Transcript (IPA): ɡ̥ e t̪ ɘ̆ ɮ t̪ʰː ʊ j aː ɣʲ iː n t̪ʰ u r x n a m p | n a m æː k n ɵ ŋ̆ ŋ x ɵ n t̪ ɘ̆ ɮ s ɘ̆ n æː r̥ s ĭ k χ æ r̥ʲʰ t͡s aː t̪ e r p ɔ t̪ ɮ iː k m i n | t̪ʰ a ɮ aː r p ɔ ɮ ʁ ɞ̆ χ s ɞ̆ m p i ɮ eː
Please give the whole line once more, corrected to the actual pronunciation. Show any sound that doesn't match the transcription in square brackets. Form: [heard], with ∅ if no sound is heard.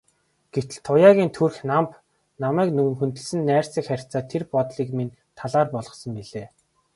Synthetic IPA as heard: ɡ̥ e t̪ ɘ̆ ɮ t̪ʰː ʊ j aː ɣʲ iː n t̪ʰ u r x n a m p | n a m æː k n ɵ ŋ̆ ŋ x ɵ n t̪ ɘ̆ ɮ s ɘ̆ [nː] æː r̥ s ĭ k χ æ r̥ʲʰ t͡s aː [t̪ʰ] e r p ɔ t̪ ɮ iː k m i n | t̪ʰ a ɮ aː r p ɔ ɮ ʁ ɞ̆ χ s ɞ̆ m p i ɮ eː